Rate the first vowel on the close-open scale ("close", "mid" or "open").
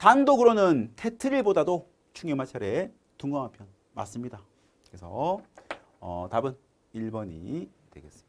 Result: open